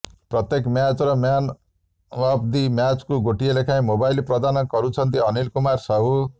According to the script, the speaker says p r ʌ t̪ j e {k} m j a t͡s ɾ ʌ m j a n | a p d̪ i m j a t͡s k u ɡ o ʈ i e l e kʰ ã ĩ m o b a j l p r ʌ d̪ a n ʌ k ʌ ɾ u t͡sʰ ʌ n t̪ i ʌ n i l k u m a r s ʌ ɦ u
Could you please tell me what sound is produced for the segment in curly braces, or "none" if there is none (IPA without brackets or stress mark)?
k